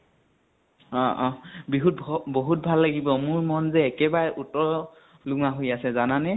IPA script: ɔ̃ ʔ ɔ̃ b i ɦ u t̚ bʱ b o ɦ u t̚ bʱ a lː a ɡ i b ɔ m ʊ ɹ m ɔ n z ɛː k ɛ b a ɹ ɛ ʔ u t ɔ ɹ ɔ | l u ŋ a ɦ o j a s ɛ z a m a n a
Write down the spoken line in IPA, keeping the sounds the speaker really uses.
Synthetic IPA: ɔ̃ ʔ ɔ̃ b i ɦ u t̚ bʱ b o ɦ u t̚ bʱ a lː a ɡ i b ɔ m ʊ ɹ m ɔ n z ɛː k ɛ b a ɹ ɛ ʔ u t ɔ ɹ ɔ | l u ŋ a ɦ o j a s ɛ z a n a n ɛ